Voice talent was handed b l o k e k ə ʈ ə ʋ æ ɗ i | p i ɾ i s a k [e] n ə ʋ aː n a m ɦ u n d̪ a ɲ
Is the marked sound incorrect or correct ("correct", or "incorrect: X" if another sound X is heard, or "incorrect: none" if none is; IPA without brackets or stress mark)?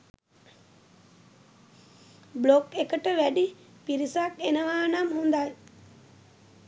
correct